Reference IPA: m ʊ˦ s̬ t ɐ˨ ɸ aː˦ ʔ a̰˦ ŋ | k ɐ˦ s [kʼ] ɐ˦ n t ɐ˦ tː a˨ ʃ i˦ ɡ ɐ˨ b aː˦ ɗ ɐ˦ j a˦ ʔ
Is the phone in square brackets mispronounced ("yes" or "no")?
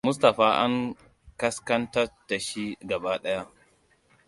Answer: yes